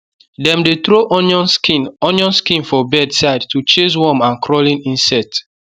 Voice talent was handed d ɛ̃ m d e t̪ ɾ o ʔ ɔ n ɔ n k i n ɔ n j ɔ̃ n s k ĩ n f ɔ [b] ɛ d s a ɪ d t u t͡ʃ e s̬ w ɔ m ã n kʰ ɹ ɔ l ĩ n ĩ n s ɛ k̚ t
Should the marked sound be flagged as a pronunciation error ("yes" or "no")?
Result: no